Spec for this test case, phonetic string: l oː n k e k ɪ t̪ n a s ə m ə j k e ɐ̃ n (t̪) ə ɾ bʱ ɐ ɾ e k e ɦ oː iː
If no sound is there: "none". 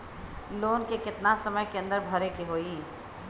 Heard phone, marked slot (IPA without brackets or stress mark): d̪